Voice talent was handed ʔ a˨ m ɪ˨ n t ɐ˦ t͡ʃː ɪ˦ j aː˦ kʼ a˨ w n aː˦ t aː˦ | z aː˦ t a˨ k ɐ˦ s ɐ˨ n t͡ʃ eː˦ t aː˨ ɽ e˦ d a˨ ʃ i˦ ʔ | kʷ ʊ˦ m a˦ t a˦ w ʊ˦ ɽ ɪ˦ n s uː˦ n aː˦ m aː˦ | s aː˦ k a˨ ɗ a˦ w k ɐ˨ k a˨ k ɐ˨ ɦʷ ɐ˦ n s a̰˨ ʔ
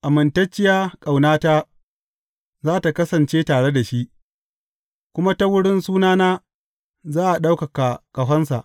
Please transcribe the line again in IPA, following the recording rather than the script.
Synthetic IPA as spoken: ʔ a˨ m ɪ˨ n t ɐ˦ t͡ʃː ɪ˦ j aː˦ kʼ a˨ w n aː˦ t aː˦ | z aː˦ t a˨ k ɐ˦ s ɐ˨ n t͡ʃ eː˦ t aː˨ ɽ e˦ d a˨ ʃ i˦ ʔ | kʷ ʊ˦ m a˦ t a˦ w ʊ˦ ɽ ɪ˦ n s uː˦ n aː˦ n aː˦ | z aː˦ ʔ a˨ ɗ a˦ w k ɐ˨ k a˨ k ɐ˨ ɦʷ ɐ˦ n s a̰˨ ʔ